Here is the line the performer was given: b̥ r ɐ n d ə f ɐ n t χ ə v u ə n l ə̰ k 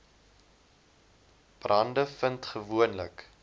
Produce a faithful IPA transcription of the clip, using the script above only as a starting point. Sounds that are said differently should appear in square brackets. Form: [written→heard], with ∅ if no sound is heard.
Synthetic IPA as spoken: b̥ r ɐ n d ə f [ɐ→ə] n t χ ə v u ə n l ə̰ k